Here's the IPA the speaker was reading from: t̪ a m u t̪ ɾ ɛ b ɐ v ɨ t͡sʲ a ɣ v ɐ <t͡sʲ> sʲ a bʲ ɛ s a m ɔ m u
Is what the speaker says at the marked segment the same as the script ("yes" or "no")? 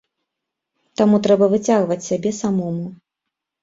yes